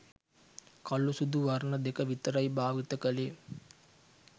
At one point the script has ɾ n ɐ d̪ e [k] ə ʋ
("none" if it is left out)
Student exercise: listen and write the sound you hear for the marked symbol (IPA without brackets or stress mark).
k